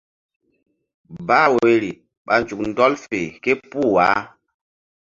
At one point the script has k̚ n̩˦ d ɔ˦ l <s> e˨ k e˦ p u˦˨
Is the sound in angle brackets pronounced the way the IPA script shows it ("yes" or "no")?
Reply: no